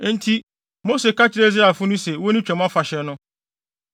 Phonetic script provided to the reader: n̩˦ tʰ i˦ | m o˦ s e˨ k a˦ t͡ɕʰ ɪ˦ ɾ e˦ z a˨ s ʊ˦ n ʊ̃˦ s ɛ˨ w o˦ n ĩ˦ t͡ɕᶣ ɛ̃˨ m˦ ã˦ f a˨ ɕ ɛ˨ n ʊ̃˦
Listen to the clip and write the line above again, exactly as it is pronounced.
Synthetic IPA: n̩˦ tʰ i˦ | m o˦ s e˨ k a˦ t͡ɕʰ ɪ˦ ɾ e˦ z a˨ f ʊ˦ n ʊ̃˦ s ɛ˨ w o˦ n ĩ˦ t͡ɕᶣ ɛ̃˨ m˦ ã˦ f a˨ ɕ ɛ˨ n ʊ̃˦